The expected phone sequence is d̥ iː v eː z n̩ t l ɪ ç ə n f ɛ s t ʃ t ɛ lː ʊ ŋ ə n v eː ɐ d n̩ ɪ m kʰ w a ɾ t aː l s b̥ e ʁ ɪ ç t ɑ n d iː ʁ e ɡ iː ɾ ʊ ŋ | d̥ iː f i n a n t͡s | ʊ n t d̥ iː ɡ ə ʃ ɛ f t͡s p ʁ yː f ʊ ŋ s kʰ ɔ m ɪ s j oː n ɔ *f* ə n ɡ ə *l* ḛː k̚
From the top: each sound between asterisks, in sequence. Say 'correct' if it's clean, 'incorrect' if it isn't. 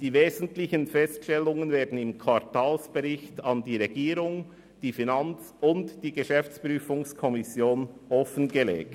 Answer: correct, correct

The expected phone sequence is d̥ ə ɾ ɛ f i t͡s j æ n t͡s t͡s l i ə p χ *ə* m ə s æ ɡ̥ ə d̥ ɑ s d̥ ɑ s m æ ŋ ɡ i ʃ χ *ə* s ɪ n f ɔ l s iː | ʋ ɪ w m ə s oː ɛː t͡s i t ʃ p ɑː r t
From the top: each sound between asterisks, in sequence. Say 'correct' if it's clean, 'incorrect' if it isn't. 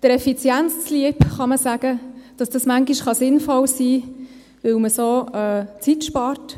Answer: incorrect: ɑ, incorrect: ɑ

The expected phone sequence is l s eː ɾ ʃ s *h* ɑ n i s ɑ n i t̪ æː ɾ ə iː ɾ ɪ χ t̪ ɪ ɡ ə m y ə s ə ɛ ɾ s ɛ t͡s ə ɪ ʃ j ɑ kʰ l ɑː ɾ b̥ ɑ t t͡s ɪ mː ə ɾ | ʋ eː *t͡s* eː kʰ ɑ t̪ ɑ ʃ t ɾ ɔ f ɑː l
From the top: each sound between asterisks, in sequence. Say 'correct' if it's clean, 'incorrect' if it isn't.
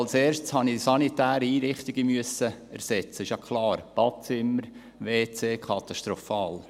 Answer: correct, correct

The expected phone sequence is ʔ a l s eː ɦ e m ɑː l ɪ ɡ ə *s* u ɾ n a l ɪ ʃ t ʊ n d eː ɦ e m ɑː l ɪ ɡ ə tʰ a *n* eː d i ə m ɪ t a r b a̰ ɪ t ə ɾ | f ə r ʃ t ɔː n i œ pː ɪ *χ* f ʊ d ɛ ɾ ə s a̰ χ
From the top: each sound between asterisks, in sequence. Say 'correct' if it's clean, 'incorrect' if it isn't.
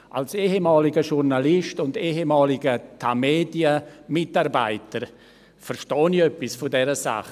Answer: incorrect: ʃ, incorrect: m, incorrect: s

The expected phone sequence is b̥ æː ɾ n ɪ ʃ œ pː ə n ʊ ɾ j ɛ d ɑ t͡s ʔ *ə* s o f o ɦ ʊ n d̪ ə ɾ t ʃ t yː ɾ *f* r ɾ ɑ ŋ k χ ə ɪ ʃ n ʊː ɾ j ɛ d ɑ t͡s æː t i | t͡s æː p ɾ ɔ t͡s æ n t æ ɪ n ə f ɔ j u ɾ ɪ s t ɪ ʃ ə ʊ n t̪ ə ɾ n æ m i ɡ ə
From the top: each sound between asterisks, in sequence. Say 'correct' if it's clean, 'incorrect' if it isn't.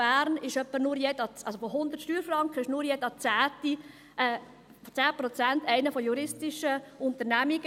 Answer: incorrect: ɑ, correct

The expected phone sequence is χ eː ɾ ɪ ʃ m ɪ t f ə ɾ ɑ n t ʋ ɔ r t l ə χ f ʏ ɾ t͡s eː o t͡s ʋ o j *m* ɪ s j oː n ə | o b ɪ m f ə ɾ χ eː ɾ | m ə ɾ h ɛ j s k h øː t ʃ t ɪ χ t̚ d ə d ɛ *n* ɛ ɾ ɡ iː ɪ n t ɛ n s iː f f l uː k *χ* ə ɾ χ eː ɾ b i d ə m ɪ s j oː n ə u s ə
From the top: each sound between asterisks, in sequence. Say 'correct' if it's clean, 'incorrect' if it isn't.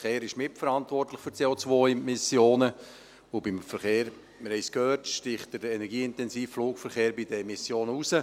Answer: correct, correct, incorrect: f

